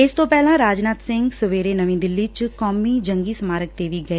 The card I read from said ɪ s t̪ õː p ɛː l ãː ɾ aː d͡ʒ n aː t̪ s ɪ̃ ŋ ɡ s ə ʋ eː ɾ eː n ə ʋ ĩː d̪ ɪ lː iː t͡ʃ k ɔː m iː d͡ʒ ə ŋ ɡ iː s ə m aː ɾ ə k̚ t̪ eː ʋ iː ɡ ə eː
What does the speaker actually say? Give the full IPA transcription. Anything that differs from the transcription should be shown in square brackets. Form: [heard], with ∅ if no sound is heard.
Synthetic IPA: ɪ s t̪ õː p ɛː l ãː ɾ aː d͡ʒ n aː t̪ s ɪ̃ ŋ ɡ s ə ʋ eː ɾ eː n ə ʋ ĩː d̪ ɪ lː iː t͡ʃ k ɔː m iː d͡ʒ ə ŋ ɡ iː s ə m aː ɾ ə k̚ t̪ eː ʋ iː ɡ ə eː

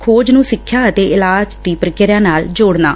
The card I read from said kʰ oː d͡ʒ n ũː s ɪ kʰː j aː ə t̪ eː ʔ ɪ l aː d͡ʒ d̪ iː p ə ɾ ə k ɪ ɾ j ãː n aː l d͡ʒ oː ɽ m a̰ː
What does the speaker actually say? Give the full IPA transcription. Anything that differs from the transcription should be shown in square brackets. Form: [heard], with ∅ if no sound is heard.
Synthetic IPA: kʰ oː d͡ʒ n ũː s ɪ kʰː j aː ə t̪ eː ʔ ɪ l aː d͡ʒ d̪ iː p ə ɾ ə k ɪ ɾ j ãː n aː l d͡ʒ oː ɽ [n] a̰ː

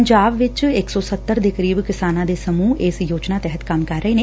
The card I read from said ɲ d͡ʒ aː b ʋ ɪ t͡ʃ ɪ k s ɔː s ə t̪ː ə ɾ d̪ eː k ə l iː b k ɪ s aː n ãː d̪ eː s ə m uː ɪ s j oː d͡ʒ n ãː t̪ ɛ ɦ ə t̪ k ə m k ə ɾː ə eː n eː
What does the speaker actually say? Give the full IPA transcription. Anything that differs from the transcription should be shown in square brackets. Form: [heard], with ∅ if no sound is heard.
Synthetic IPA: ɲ d͡ʒ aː b ʋ ɪ t͡ʃ ɪ k s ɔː s ə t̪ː ə ɾ d̪ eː k ə [ɾ] iː b k ɪ s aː n ãː d̪ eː s ə m uː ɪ s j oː d͡ʒ n [aː] t̪ ɛ ɦ ə t̪ k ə m k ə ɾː ə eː n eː

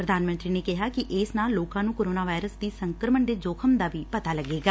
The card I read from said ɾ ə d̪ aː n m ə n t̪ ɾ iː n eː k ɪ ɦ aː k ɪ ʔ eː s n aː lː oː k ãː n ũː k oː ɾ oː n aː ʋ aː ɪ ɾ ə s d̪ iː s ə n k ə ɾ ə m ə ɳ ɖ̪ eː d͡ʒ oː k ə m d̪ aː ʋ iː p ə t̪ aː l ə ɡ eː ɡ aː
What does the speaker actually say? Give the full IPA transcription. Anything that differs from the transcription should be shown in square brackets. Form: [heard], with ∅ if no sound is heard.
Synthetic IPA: ɾ ə d̪ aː n m ə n t̪ ɾ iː n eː k ɪ ɦ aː k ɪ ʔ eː s n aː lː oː k ãː n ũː k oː ɾ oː n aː ʋ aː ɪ ɾ ə s d̪ iː s ə [ŋ] k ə ɾ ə m ə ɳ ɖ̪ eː d͡ʒ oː [kʰ] ə m d̪ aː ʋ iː p ə t̪ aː l ə ɡ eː ɡ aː

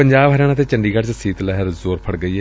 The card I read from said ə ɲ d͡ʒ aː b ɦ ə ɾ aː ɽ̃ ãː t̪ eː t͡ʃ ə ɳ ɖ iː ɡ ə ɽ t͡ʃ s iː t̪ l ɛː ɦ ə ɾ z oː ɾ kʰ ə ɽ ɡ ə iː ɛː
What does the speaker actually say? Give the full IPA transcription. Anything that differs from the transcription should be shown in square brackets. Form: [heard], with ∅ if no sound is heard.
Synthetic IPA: ə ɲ d͡ʒ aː b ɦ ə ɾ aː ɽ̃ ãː t̪ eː t͡ʃ ə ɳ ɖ iː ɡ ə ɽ t͡ʃ s iː t̪ l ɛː ɦ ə ɾ z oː ɾ [pʰ] ə ɽ ɡ ə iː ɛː

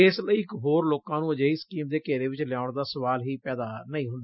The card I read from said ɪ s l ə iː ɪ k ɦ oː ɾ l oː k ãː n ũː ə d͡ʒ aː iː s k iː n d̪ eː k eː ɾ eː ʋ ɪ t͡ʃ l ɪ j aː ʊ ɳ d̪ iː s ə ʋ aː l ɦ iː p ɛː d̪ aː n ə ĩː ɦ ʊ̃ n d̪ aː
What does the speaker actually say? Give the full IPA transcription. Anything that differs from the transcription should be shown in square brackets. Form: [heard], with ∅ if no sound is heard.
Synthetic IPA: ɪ s l ə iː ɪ k ɦ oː ɾ l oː k ãː n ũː ə d͡ʒ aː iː s k iː [m] d̪ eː k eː ɾ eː ʋ ɪ t͡ʃ l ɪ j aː ʊ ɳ d̪ [aː] s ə ʋ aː l ɦ iː p ɛː d̪ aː n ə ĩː ɦ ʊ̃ n d̪ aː

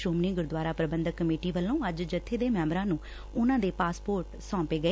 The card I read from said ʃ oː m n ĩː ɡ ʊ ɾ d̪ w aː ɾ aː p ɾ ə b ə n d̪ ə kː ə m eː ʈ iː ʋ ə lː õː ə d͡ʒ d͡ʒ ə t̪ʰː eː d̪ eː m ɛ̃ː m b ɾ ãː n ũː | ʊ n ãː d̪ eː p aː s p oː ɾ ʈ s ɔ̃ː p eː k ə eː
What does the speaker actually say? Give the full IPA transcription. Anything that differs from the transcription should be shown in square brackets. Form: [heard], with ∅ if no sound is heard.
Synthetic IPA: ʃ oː m n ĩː ɡ ʊ ɾ d̪ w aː ɾ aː p ɾ ə b ə n d̪ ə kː ə m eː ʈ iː ʋ ə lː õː ə d͡ʒ d͡ʒ ə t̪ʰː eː d̪ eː m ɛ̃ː m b ɾ ãː n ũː | ʊ n ãː d̪ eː p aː s p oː ɾ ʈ s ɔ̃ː p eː [ɡ] ə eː

